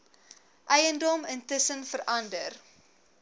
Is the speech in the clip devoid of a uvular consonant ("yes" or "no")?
yes